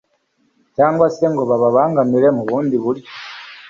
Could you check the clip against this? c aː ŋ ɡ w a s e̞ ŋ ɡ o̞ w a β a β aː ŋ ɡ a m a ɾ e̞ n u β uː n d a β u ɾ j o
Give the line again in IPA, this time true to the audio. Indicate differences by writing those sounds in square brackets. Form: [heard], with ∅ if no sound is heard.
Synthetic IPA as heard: c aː ŋ ɡ w a s e̞ ŋ ɡ o̞ [β] a β a β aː ŋ ɡ a m [i] ɾ e̞ [m] u β uː n d [i] β u ɾ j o